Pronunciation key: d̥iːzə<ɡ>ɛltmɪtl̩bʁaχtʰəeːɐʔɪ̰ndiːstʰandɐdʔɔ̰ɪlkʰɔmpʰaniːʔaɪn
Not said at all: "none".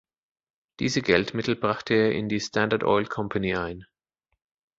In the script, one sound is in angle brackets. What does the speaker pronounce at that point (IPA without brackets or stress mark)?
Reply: ɡ